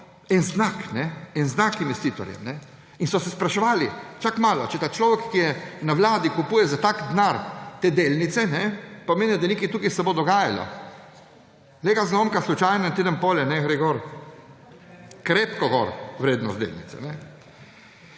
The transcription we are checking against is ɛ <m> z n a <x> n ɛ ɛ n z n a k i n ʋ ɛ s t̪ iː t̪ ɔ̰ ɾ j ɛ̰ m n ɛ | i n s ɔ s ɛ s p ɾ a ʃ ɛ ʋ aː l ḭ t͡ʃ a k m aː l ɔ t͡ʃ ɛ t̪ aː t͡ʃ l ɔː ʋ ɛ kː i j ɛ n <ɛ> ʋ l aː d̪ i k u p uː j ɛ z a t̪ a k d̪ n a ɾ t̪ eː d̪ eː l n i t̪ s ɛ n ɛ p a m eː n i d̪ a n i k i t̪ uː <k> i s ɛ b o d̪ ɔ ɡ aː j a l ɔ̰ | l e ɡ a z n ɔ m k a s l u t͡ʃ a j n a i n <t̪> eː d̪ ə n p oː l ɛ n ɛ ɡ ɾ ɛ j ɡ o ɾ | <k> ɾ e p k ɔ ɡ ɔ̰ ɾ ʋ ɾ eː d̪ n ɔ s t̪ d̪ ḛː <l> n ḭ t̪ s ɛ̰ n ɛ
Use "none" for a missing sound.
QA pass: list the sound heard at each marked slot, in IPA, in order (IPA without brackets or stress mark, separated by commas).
n, k, a, k, t̪, k, l